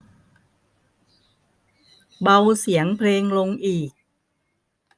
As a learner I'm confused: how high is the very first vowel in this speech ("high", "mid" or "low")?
low